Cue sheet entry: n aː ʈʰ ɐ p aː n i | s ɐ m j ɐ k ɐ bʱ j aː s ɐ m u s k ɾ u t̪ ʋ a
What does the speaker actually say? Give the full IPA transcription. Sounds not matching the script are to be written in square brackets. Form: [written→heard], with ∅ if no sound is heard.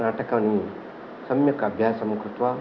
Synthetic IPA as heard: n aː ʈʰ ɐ [p→k] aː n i | s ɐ m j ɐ k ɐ bʱ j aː s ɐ m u [s→∅] k ɾ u t̪ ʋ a